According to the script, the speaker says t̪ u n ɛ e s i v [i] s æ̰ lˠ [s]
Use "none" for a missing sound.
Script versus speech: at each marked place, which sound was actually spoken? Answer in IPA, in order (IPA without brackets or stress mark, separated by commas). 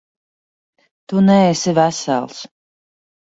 æ, s